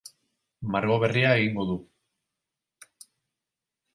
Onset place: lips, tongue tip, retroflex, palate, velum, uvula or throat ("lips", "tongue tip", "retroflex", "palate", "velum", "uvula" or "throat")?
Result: lips